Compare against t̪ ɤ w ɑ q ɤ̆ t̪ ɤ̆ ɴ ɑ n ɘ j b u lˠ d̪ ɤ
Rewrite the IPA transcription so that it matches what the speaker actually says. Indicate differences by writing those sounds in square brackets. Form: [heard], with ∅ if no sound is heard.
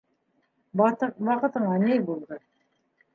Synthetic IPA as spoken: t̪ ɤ w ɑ q ɤ̆ t̪ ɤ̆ ɴ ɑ n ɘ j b u lˠ d̪ ɤ